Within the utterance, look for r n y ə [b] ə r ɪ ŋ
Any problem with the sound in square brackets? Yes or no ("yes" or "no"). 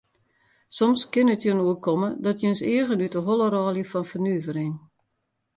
yes